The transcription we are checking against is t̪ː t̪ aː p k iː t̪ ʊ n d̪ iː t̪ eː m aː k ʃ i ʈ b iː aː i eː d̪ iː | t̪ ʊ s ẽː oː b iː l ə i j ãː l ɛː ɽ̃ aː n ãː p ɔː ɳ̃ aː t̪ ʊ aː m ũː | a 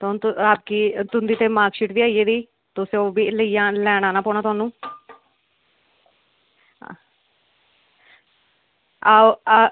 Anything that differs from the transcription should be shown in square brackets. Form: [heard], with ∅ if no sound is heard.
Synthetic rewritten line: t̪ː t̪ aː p k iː t̪ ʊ n d̪ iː t̪ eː m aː k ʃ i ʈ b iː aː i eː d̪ iː | t̪ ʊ s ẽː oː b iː l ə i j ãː l ɛː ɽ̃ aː n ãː p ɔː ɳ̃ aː t̪ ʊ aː [n] ũː | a